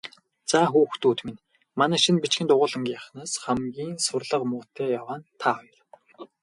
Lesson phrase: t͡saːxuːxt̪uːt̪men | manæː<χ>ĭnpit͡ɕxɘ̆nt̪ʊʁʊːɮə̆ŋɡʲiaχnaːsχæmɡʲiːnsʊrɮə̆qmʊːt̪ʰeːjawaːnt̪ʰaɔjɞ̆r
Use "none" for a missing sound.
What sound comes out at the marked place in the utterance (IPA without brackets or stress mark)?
ʃ